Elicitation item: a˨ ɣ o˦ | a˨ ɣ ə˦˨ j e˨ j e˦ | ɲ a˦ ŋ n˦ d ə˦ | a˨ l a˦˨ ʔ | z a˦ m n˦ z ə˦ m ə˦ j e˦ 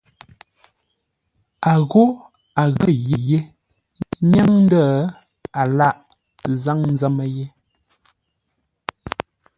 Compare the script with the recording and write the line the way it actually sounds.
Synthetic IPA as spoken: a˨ ɣ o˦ | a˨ ɣ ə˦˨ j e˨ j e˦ | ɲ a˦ ŋ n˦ d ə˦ | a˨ l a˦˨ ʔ | z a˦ ŋ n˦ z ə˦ m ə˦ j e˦